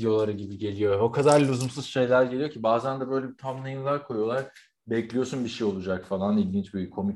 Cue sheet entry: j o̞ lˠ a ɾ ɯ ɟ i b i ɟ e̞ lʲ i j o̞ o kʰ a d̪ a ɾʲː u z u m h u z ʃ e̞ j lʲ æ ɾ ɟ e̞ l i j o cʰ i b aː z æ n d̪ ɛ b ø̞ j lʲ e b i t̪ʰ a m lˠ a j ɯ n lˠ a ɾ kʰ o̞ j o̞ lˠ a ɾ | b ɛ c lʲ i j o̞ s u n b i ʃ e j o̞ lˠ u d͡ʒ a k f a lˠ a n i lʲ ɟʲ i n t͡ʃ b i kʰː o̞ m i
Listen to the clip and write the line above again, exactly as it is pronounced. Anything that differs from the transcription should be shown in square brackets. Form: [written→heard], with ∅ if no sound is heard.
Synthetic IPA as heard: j o̞ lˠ a ɾ ɯ ɟ i b i ɟ e̞ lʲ i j o̞ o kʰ a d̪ a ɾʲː u z u m [h→s] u z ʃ e̞ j lʲ æ ɾ ɟ e̞ l i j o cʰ i b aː z æ n d̪ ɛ b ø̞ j lʲ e b i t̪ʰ a m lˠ a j ɯ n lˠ a ɾ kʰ o̞ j o̞ lˠ a ɾ | b ɛ c lʲ i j o̞ s u n b i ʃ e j o̞ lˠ u d͡ʒ a k f a lˠ a n i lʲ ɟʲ i n t͡ʃ b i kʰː o̞ m i